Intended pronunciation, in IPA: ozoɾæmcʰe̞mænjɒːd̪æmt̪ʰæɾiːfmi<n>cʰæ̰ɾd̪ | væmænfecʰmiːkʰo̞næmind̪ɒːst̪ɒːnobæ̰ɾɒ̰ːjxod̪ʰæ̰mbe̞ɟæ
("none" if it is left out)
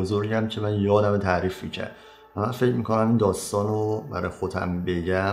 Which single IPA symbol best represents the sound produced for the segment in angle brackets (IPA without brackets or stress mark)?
none